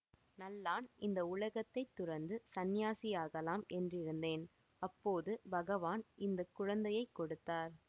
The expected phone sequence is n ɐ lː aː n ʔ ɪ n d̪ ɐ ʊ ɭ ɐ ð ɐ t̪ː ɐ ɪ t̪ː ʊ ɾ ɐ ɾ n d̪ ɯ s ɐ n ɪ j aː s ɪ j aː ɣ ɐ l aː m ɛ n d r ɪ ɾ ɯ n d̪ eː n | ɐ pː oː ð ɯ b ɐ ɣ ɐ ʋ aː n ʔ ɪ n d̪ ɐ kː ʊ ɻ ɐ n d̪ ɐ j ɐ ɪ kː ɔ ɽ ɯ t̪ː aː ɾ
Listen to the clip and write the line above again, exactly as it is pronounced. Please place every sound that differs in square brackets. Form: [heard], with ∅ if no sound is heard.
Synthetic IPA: n ɐ lː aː n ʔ ɪ n d̪ ɐ ʊ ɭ ɐ [ɣ] ɐ t̪ː ɐ ɪ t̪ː ʊ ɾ ɐ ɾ n d̪ ɯ s ɐ n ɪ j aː s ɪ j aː ɣ ɐ l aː m ɛ n d r ɪ ɾ ɯ n d̪ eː n | ɐ pː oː ð ɯ b ɐ ɣ ɐ ʋ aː n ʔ ɪ n d̪ ɐ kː ʊ ɻ ɐ n d̪ ɐ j ɐ ɪ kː ɔ ɽ ɯ t̪ː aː ɾ